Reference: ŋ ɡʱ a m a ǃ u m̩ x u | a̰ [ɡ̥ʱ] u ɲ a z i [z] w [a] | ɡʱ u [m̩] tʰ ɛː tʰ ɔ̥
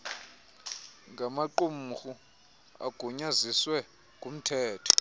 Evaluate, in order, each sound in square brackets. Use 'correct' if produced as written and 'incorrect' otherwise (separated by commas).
correct, incorrect, incorrect, correct